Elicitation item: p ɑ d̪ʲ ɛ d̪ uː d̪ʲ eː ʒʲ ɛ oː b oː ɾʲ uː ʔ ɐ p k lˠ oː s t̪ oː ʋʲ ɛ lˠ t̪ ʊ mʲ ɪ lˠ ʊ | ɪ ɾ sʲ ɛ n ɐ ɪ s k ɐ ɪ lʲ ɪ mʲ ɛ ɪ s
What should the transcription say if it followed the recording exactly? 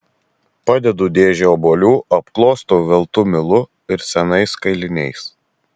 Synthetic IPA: p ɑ d̪ʲ ɛ d̪ uː d̪ʲ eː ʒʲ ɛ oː b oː lʲ uː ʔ ɐ p k lˠ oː s t̪ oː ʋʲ ɛ lˠ t̪ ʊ mʲ ɪ lˠ ʊ | ɪ ɾ sʲ ɛ n ɐ ɪ s k ɐ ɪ lʲ ɪ nʲ ɛ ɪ s